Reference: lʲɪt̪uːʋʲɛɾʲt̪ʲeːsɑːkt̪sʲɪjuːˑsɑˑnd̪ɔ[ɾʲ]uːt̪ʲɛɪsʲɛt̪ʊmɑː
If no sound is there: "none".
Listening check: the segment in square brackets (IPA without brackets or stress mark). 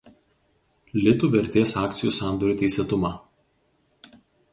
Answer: ɾʲ